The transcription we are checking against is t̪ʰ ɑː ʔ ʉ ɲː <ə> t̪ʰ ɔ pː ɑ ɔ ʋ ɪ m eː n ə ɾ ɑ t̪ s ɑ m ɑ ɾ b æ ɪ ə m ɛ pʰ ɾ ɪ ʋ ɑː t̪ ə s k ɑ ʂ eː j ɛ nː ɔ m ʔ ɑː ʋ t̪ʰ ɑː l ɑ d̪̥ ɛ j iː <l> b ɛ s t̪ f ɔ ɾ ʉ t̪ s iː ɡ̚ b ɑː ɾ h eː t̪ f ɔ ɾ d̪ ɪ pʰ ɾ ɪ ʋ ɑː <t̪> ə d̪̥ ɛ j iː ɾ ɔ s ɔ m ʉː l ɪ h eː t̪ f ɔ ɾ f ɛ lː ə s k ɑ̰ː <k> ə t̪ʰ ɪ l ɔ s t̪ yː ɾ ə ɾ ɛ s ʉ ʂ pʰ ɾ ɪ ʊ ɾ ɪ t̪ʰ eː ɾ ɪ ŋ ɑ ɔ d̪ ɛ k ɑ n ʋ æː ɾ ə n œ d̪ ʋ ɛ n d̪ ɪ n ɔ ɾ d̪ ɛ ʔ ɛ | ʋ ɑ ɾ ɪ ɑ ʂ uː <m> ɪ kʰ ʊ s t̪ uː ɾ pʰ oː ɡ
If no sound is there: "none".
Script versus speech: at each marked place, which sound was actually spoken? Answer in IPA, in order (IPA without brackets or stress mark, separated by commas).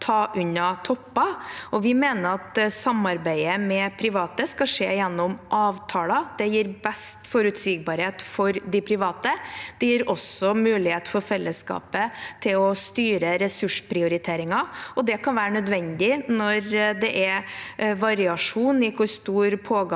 ɑ, ɾ, t̪, p, n